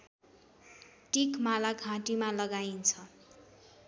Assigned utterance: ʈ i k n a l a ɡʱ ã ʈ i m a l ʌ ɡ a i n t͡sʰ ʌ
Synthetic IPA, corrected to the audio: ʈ i k m a l a ɡʱ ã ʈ i m a l ʌ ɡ a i n t͡sʰ ʌ

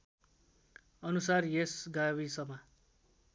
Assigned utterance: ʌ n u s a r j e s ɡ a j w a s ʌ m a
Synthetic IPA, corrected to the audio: ʌ n u s a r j e s ɡ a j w i s ʌ m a

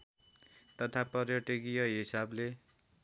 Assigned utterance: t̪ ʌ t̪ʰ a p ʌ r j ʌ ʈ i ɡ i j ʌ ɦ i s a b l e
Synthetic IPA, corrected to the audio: t̪ ʌ t̪ʰ a p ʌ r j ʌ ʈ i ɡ i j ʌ ɦ i s a b l e

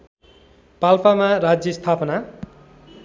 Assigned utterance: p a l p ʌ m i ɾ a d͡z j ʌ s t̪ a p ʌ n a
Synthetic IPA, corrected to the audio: p a l p a m a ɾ a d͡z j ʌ s t̪ʰ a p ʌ n a

